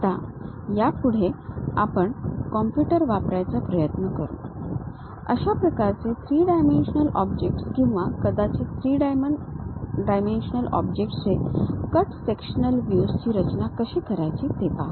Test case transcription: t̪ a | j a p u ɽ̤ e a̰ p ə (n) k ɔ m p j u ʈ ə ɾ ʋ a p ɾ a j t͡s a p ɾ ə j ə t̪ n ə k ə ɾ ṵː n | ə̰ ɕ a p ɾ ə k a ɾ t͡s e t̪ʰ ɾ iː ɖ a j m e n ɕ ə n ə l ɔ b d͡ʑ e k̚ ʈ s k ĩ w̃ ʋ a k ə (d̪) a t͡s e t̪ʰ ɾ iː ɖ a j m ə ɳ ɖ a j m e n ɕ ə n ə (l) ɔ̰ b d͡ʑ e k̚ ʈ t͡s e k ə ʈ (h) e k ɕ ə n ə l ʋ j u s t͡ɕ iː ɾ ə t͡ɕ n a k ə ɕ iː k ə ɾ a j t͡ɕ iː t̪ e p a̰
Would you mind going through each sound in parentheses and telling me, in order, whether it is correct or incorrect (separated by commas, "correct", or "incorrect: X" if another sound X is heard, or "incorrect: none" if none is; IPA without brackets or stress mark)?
incorrect: ɳ, correct, correct, incorrect: s